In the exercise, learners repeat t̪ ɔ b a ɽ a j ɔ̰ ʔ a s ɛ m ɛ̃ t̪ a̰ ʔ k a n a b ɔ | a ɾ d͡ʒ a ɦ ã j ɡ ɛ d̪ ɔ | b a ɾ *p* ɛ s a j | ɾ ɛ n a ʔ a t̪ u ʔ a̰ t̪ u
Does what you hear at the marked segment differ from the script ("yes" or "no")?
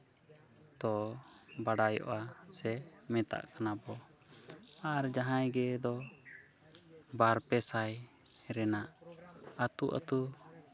no